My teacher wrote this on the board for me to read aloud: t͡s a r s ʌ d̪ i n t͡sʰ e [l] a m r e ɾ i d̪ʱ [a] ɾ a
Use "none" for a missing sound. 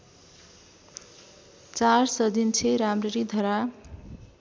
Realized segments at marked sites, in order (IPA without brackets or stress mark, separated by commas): ɾ, ʌ